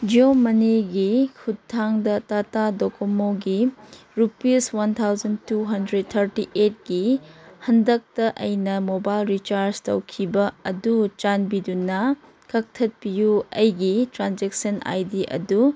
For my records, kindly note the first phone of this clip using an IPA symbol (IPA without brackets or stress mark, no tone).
d͡ʒ